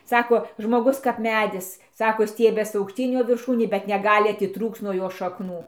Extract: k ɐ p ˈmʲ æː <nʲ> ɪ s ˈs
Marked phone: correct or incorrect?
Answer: incorrect